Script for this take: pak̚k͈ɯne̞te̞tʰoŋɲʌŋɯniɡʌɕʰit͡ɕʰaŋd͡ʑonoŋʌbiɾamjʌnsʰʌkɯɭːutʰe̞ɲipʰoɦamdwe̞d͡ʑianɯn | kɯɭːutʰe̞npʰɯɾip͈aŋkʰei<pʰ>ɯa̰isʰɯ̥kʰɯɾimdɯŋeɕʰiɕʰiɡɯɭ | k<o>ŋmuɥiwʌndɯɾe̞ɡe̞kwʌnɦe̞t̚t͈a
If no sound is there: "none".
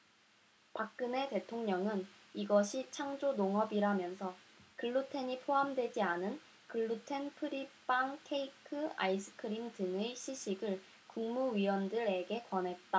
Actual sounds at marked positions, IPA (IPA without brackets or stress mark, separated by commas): kʰ, u